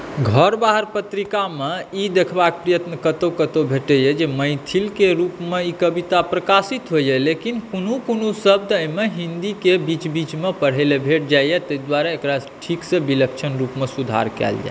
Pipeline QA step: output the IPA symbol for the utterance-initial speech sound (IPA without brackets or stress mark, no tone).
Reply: ɡʱ